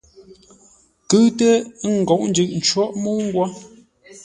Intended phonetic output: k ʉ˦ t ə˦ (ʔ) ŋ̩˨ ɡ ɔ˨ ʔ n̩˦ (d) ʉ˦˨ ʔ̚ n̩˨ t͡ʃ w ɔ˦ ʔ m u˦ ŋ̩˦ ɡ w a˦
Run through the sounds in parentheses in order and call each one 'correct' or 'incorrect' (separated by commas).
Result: incorrect, incorrect